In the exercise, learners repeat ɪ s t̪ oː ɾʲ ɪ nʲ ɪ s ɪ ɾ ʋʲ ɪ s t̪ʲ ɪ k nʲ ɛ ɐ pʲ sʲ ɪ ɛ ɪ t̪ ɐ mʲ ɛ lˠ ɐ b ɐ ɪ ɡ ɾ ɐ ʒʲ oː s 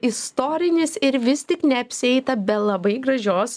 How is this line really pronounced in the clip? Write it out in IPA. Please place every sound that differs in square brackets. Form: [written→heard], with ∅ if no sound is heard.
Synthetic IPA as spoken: ɪ s t̪ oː ɾʲ ɪ nʲ ɪ s ɪ ɾ ʋʲ ɪ s t̪ʲ ɪ k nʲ ɛ ɐ pʲ sʲ ɪ ɛ ɪ t̪ ɐ [mʲ→bʲ] ɛ lˠ ɐ b ɐ ɪ ɡ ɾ ɐ ʒʲ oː s